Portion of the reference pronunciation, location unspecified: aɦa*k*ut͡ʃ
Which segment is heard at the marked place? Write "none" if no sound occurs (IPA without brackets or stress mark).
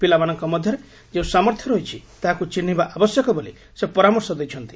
k